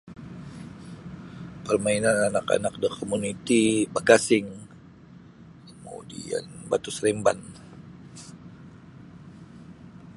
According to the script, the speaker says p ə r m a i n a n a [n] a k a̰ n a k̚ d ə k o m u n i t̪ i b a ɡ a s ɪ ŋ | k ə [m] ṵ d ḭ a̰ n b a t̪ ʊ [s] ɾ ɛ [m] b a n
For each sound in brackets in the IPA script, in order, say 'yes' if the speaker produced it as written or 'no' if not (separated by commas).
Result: yes, yes, yes, yes